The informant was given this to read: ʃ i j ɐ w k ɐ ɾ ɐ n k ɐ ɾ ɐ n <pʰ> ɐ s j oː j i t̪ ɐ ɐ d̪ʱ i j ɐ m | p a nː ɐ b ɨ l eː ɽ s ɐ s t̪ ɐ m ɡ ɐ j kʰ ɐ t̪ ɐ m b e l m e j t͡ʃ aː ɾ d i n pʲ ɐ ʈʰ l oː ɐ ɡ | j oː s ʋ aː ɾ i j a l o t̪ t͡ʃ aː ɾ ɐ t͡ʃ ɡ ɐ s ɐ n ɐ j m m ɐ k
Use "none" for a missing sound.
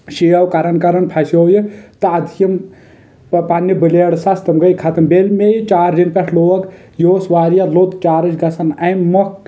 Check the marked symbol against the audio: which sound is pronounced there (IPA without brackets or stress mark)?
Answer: pʰ